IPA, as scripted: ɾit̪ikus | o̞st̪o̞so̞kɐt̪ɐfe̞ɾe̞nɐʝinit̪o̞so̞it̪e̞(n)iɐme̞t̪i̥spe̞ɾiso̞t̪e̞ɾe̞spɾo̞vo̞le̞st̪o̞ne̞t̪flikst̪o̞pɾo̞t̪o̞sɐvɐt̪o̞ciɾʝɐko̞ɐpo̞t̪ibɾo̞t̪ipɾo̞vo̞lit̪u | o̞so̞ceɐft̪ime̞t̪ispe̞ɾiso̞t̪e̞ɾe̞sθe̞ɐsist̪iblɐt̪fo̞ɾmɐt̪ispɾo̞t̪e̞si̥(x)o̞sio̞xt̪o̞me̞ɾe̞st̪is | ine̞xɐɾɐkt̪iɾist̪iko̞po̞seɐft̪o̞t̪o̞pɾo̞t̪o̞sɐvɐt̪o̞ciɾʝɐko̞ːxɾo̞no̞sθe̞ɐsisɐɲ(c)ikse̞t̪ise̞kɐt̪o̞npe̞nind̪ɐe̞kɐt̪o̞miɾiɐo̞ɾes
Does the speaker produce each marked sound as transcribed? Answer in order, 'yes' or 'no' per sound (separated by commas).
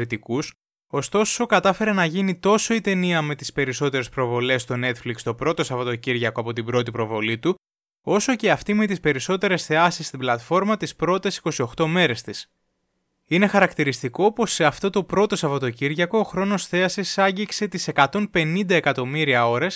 yes, no, no